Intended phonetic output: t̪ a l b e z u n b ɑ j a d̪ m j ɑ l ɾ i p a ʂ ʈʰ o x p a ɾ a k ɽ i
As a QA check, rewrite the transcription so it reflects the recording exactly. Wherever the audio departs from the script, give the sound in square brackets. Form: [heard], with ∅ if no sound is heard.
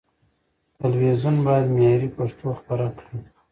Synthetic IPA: t̪ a l [w] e z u n b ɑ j a d̪ m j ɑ [∅] ɾ i p a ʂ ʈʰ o x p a ɾ a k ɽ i